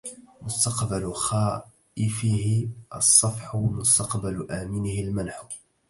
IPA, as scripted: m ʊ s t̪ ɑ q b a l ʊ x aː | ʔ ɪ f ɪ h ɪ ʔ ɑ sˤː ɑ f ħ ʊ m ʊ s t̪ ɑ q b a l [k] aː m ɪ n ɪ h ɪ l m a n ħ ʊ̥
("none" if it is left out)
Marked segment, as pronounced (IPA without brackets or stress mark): ʔ